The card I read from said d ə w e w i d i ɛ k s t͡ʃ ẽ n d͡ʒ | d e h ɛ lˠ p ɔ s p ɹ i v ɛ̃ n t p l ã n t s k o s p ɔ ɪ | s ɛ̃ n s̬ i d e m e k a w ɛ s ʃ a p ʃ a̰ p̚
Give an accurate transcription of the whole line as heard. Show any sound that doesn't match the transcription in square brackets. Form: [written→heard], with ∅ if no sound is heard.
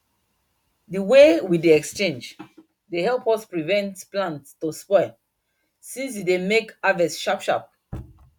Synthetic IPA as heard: d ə w e w i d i ɛ k s t͡ʃ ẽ n d͡ʒ | d e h ɛ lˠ p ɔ s p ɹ i v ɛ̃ n t p l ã n t s [k→t] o s p ɔ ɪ | s [ɛ̃→ĩ] n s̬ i d e m e k a [w→v] ɛ s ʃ a p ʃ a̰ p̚